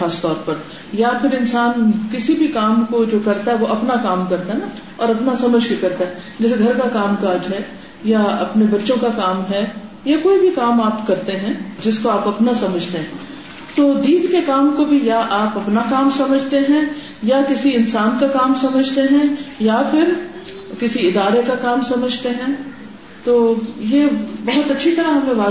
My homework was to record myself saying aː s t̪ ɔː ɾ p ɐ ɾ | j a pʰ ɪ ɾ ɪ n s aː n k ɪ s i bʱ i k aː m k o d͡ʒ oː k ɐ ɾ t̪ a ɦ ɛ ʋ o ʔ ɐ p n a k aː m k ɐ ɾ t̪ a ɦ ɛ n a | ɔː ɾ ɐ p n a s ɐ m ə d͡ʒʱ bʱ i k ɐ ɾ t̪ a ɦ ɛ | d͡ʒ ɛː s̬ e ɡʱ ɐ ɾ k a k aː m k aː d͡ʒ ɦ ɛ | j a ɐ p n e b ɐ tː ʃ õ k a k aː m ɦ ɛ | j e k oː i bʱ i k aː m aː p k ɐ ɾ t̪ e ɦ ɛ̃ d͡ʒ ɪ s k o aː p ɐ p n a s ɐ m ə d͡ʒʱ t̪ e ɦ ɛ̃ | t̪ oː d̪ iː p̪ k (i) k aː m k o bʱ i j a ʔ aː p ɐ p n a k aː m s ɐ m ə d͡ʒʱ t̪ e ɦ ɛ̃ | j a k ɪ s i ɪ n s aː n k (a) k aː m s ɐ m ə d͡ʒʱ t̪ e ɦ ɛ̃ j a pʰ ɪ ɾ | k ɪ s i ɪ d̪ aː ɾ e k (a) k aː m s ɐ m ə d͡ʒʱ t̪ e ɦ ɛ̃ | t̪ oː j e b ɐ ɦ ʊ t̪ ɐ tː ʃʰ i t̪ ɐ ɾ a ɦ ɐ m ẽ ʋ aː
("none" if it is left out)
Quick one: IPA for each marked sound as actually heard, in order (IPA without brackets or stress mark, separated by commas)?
e, a, a